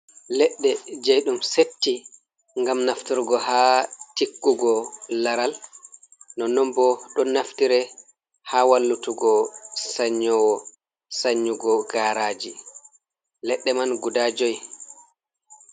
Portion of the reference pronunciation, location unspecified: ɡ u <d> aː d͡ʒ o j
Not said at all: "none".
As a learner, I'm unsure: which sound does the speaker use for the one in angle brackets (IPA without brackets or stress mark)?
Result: d